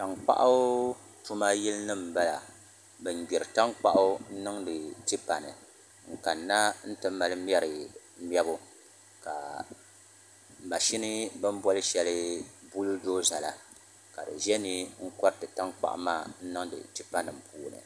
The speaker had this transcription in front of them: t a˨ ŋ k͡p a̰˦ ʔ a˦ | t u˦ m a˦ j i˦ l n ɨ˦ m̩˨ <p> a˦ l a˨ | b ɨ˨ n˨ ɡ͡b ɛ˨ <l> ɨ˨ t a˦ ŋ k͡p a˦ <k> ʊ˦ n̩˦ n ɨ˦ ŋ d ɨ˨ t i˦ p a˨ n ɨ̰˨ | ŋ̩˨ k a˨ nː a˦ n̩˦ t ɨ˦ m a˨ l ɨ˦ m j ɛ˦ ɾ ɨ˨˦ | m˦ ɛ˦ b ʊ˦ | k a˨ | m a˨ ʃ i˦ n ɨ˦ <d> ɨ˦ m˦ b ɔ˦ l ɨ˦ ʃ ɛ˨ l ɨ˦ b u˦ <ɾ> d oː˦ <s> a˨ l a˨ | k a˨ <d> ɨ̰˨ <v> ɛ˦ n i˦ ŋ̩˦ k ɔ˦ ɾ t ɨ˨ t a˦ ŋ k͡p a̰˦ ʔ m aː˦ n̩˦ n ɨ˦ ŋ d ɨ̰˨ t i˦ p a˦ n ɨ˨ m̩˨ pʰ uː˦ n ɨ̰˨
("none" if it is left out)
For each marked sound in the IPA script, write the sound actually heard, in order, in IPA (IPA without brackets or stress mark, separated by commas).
b, ɾ, ʔ, b, l, z, d, ʒ